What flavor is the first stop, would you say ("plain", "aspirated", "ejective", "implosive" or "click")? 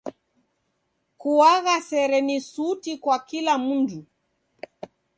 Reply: plain